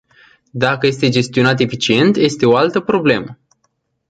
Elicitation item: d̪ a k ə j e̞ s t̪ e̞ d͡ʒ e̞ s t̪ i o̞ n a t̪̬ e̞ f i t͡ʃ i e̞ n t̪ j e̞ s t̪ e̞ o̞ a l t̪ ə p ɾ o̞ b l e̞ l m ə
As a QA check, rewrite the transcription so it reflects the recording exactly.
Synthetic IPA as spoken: d̪ a k ə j e̞ s t̪ e̞ d͡ʒ e̞ s t̪ i o̞ n a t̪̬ e̞ f i t͡ʃ i e̞ n t̪ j e̞ s t̪ e̞ o̞ a l t̪ ə p ɾ o̞ b l e̞ m ə